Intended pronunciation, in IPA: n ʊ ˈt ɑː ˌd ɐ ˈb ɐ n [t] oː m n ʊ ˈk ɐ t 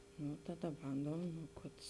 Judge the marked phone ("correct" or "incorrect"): incorrect